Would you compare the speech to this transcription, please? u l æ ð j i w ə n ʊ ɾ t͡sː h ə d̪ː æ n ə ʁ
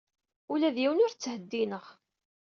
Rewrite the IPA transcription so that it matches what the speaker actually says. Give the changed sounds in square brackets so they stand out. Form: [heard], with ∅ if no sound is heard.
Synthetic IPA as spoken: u l æ ð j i w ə n ʊ ɾ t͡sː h ə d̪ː [i] n ə ʁ